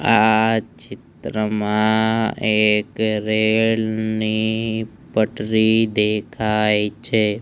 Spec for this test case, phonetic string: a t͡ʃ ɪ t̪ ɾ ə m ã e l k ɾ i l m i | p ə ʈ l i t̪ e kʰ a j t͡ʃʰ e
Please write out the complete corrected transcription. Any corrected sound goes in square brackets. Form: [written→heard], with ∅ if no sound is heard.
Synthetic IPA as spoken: a t͡ʃ ɪ t̪ ɾ ə m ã e [l→∅] k ɾ [i→e] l [m→n] i | p ə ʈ [l→ɾ] i [t̪→d̪] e kʰ a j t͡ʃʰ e